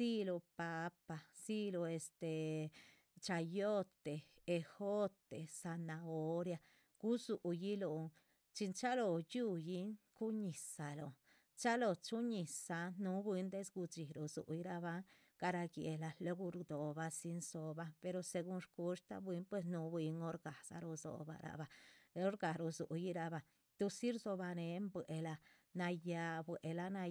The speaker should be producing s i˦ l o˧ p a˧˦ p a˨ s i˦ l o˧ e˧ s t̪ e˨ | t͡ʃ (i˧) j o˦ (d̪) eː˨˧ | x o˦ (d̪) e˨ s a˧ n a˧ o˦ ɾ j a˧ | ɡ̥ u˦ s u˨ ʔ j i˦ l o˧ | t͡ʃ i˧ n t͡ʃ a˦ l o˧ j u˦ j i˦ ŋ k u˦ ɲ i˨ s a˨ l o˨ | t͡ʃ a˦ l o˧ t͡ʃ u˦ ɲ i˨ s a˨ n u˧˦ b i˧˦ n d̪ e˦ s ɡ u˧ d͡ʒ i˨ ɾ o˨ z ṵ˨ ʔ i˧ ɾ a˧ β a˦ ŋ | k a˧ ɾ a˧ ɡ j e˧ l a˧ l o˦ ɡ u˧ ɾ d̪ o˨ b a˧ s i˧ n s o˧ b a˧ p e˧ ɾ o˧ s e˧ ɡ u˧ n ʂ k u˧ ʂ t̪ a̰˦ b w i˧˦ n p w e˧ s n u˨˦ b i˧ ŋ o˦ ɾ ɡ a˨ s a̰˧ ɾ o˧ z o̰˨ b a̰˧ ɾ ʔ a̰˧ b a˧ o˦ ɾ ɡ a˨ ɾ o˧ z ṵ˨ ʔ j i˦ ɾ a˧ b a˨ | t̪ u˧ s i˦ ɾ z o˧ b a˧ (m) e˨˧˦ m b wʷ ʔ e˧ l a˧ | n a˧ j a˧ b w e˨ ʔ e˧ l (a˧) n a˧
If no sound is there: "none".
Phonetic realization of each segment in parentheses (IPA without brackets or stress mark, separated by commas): a˧, t̪, t̪, n, a˧